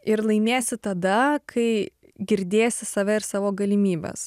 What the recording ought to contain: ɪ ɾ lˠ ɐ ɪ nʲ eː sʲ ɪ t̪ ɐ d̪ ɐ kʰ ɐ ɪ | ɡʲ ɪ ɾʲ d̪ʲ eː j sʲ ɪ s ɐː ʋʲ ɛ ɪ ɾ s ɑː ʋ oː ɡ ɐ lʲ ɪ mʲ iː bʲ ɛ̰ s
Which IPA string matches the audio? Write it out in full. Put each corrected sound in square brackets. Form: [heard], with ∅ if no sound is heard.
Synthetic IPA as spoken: ɪ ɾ lˠ ɐ ɪ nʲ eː sʲ ɪ t̪ ɐ d̪ ɐ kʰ ɐ ɪ | ɡʲ ɪ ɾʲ d̪ʲ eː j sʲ ɪ s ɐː ʋʲ ɛ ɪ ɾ s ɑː ʋ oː ɡ ɐ lʲ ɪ mʲ iː bʲ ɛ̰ s